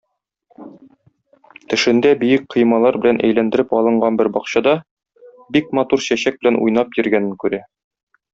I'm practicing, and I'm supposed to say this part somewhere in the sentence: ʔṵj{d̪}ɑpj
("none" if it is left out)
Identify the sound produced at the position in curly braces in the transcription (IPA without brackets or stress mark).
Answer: n̪